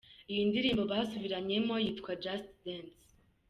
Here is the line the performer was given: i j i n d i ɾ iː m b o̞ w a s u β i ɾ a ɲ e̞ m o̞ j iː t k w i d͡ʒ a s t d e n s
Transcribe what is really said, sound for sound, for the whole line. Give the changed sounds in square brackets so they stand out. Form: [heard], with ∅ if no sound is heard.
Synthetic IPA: i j i n d i ɾ iː m b o̞ [β] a s u β i ɾ a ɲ e̞ m o̞ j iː t k w [a] d͡ʒ a s t d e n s